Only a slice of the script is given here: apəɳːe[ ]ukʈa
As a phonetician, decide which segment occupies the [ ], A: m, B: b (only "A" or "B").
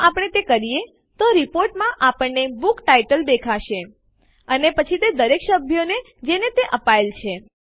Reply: B